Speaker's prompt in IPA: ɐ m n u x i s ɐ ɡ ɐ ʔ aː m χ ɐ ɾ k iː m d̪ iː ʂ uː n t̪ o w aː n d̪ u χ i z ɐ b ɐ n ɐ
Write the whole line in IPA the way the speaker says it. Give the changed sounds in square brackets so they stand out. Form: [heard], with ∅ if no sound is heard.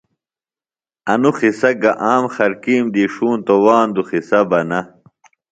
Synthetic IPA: ɐ [∅] n u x i s ɐ ɡ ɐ ʔ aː m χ ɐ ɾ k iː m d̪ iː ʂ uː n t̪ o w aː n d̪ u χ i [s] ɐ b ɐ n ɐ

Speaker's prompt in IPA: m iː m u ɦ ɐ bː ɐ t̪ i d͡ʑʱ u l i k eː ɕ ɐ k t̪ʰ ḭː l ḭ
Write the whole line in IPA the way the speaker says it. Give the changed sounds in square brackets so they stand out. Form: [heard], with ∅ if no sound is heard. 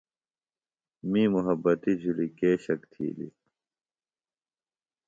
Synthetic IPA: m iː m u ɦ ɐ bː ɐ t̪ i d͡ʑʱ u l i k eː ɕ ɐ k t̪ʰ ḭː l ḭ

